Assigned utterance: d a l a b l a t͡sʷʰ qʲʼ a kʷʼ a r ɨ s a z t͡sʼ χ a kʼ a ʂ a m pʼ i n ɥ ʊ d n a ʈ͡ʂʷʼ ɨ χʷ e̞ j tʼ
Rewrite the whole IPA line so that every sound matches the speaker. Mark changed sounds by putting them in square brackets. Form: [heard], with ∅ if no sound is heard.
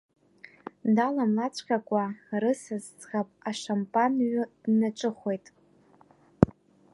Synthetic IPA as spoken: d a l a [m] l a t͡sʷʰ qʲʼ a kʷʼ a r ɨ s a z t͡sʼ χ a [pʼ] a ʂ a m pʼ [a] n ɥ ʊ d n a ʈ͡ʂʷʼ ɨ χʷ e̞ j tʼ